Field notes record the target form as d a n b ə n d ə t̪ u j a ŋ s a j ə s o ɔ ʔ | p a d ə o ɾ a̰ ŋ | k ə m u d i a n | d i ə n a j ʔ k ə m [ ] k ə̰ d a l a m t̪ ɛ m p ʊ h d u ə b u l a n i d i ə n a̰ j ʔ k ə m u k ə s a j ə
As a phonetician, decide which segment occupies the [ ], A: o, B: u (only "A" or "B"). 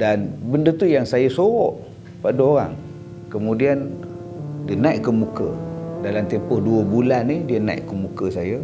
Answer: B